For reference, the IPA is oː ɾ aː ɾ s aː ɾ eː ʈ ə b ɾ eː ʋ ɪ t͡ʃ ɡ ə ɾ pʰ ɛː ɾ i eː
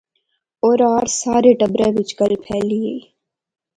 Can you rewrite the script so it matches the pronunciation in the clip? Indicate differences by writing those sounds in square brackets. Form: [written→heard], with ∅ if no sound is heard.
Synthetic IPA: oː ɾ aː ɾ s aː ɾ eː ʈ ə b ɾ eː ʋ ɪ t͡ʃ ɡ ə [ɾ→l] pʰ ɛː [ɾ→l] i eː